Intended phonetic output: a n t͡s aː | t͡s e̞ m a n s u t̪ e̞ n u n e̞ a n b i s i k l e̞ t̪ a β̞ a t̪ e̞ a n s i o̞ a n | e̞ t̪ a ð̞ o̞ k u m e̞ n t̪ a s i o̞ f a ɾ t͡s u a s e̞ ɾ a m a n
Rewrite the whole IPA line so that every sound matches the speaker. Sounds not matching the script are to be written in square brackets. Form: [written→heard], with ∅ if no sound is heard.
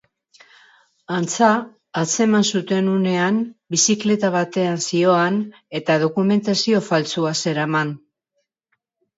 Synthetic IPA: a n t͡s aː | t͡s e̞ m a n s u t̪ e̞ n u n e̞ a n b i s i k l e̞ t̪ a β̞ a t̪ e̞ a n s i o̞ a n | e̞ t̪ a ð̞ o̞ k u m e̞ n t̪ a s i o̞ f a [ɾ→l] t͡s u a s e̞ ɾ a m a n